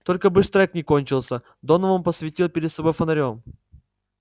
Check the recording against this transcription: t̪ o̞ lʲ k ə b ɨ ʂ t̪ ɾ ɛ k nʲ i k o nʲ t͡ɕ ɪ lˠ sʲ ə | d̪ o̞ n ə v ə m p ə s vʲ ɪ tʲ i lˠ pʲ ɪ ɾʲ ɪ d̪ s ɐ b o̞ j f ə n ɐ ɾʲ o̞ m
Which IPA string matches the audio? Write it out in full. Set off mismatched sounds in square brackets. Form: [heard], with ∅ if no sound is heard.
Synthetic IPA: t̪ o̞ lʲ k ə b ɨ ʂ t̪ ɾ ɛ k nʲ [ɪ] k o nʲ t͡ɕ ɪ lˠ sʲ ə | d̪ o̞ n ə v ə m p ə s vʲ ɪ tʲ i lˠ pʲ ɪ ɾʲ ɪ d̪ s ɐ b o̞ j f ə n ɐ ɾʲ o̞ m